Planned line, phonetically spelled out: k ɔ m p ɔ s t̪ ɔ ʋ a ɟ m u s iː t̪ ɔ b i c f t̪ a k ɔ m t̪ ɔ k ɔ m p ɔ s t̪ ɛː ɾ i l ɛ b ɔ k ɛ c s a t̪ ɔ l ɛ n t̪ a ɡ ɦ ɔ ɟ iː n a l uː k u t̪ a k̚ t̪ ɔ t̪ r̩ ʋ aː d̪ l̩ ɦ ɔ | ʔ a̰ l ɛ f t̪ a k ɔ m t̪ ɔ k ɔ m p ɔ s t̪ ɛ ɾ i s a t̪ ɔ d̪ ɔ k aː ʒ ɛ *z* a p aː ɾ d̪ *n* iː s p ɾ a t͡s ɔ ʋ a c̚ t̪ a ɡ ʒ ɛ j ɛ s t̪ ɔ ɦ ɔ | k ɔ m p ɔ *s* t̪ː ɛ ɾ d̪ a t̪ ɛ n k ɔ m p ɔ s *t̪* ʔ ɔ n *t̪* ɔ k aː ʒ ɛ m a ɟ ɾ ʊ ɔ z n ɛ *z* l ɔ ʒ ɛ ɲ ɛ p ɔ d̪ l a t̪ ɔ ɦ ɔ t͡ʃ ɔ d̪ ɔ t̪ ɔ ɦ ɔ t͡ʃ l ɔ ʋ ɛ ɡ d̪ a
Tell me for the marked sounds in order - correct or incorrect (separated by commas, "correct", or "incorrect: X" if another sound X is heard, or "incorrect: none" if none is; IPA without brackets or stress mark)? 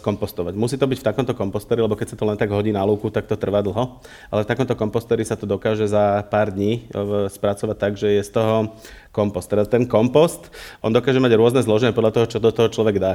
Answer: correct, incorrect: ɲ, correct, correct, incorrect: d̪, correct